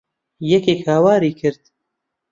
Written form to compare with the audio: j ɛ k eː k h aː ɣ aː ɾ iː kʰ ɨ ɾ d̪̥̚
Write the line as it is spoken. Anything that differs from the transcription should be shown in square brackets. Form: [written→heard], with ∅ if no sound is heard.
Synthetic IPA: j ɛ k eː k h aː [ɣ→w] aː ɾ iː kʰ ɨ ɾ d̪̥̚